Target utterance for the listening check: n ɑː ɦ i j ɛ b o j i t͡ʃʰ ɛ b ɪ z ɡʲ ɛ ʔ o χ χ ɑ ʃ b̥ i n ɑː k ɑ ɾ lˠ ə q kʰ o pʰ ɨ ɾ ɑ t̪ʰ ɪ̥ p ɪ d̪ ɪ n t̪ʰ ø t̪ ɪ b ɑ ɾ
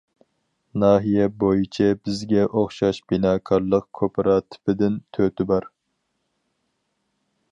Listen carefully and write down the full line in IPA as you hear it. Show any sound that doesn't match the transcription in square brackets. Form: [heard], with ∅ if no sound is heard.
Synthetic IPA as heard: n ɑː ɦ i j ɛ b o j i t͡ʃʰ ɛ b ɪ z ɡʲ ɛ ʔ o χ [ʃ] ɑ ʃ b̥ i n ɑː [kʰ] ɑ ɾ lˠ ə q kʰ o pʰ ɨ ɾ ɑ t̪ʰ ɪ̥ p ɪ d̪ ɪ n t̪ʰ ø t̪ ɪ b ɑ ɾ